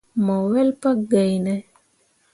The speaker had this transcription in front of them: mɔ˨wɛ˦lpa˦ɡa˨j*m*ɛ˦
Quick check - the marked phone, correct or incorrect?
incorrect